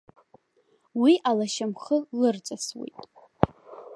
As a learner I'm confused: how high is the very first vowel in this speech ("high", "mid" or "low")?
high